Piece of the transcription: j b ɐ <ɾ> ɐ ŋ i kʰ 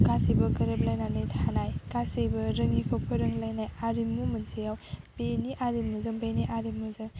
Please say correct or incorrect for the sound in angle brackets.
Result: correct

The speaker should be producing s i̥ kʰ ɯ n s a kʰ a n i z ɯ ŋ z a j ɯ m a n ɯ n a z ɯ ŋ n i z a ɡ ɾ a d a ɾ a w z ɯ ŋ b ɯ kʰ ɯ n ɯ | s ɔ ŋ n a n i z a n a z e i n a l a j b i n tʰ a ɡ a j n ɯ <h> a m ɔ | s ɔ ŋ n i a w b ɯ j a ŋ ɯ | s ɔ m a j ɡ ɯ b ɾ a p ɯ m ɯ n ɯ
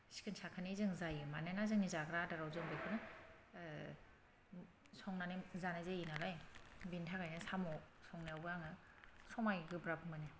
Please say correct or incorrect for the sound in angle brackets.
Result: incorrect: s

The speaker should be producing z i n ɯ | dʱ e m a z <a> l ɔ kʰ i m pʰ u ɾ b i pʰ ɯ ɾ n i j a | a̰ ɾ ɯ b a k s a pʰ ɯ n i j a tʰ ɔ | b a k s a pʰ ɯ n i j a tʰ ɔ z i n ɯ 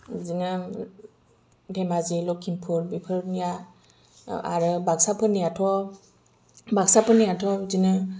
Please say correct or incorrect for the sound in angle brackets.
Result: incorrect: i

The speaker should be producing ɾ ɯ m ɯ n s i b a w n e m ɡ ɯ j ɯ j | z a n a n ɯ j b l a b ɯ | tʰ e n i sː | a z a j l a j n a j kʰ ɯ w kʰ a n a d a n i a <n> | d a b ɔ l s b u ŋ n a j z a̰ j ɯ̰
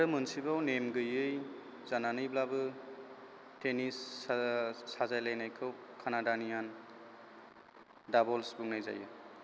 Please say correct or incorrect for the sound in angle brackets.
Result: correct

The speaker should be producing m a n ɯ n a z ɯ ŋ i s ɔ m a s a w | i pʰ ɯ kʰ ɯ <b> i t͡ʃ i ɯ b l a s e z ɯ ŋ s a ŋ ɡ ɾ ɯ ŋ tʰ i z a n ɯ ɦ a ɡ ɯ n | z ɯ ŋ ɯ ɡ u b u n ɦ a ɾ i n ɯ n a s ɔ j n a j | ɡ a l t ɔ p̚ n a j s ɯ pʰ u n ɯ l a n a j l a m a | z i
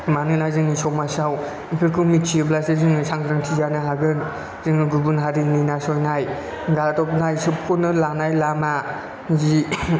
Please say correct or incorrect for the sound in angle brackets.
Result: incorrect: m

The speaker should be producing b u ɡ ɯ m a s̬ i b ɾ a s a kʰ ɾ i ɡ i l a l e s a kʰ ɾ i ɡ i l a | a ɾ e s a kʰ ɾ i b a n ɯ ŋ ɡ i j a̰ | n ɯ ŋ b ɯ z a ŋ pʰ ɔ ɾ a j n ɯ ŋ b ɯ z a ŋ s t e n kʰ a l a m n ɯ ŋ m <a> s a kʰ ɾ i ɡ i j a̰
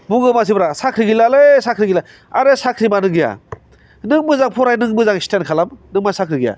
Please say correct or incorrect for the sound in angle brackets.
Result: correct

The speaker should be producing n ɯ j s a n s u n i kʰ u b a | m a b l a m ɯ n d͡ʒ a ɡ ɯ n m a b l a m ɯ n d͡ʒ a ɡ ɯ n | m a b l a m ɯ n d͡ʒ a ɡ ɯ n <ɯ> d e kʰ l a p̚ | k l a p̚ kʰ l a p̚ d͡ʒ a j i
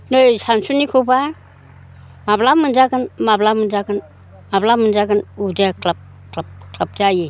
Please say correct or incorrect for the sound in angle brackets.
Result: incorrect: u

